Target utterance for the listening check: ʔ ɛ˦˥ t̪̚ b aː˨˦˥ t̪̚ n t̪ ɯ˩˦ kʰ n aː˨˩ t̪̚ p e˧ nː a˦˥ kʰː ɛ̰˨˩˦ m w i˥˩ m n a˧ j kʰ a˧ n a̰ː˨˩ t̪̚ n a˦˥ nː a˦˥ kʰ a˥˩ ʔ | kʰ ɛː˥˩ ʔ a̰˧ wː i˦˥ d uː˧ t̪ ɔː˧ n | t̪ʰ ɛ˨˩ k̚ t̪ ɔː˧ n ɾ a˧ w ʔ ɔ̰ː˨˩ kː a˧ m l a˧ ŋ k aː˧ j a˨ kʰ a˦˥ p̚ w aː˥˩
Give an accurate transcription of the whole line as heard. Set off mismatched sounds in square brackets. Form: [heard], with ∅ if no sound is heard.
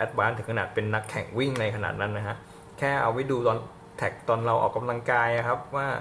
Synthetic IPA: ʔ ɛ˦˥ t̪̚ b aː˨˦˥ [∅] n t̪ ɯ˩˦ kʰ n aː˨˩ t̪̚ p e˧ nː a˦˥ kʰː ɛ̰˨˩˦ [ŋ] w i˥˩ [ŋ] n a˧ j kʰ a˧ n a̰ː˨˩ t̪̚ n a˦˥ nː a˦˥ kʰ [a˦˥] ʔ | kʰ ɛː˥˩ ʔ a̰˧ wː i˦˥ d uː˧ t̪ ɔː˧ n | t̪ʰ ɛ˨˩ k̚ t̪ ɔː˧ n ɾ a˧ w ʔ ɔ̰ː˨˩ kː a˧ m l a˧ ŋ k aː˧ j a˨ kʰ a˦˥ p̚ w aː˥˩